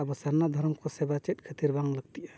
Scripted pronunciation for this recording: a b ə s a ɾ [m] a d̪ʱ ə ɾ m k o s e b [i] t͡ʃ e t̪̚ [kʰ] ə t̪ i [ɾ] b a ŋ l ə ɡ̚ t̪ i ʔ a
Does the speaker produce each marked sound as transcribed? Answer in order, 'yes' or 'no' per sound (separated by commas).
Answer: no, no, yes, yes